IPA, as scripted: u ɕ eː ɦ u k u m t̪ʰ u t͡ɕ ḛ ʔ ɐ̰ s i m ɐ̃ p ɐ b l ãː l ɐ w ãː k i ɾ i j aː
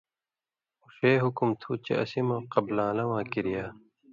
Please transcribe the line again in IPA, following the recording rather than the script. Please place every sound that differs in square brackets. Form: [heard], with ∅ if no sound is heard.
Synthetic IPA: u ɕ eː ɦ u k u m t̪ʰ u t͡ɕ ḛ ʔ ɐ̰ s i m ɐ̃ [q] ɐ b l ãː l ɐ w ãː k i ɾ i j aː

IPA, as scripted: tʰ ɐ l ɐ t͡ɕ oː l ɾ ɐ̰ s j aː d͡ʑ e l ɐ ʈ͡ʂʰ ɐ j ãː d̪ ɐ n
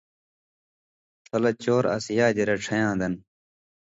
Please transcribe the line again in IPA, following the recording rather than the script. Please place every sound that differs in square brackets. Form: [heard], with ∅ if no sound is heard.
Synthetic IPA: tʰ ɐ l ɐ t͡ɕ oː [∅] ɾ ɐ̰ s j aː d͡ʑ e [ɾ] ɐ ʈ͡ʂʰ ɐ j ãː d̪ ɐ n

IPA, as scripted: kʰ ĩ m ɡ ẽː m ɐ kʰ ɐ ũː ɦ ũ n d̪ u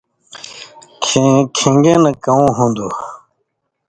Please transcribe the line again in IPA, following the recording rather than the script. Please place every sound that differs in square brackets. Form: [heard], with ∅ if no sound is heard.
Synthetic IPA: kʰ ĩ [ŋ] ɡ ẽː [n] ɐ [k] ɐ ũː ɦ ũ n d̪ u

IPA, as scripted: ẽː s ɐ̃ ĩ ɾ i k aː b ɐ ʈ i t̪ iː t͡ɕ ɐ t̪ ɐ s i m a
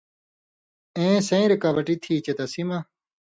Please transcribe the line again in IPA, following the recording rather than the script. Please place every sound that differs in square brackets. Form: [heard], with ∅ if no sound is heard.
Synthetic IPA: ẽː s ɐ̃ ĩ ɾ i k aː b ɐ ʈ i [t̪ʰ] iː t͡ɕ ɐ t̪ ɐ s i m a

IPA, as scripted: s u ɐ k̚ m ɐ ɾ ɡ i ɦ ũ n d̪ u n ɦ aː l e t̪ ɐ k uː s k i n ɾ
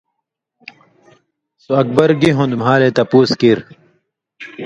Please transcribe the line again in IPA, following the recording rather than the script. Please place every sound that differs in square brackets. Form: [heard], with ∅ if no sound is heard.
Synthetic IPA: s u ɐ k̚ [b] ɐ ɾ ɡ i ɦ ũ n d̪ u [m] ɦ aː l e t̪ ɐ [p] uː s k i [∅] ɾ

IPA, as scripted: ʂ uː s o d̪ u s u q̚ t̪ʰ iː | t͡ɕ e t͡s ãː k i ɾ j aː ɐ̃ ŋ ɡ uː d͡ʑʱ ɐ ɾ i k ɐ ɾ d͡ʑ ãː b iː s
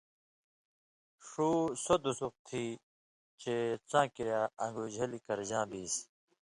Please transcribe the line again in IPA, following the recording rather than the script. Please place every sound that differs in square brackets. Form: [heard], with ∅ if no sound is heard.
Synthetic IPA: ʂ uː s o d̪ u s u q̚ t̪ʰ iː | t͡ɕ e t͡s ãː k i ɾ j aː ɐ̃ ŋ ɡ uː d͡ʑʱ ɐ [l] i k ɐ ɾ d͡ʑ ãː b iː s

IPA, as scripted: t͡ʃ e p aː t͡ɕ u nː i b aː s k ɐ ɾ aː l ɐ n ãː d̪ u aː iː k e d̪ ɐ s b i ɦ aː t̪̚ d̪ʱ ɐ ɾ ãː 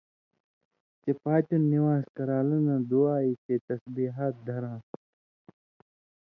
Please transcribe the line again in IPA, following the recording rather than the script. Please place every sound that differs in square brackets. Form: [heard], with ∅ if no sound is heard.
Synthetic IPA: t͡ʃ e p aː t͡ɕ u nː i [w] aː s k ɐ ɾ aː l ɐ n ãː d̪ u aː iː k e [t̪] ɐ s b i ɦ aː t̪̚ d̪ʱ ɐ ɾ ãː

